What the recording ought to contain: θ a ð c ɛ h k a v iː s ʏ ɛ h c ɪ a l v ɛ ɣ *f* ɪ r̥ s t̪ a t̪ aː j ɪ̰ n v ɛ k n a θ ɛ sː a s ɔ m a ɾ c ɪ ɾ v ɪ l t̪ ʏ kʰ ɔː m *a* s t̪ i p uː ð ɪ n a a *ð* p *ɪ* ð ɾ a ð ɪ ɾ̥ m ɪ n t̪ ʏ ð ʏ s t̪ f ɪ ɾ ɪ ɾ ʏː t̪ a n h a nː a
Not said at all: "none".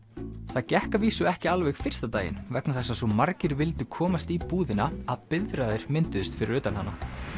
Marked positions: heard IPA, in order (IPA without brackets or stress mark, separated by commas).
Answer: f, a, ð, ɪ